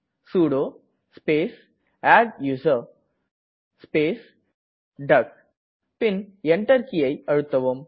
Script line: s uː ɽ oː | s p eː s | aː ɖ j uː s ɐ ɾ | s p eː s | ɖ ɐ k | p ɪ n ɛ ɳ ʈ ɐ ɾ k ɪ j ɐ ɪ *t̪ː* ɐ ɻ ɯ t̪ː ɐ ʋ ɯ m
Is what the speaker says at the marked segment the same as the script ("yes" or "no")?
no